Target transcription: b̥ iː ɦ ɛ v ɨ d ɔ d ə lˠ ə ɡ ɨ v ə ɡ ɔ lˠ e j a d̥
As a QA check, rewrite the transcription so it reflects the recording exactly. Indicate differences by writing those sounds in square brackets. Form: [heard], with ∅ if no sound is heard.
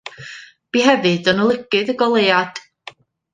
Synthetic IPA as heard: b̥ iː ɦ ɛ v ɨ d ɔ [n] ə lˠ ə ɡ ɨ [ð] ə ɡ ɔ lˠ e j a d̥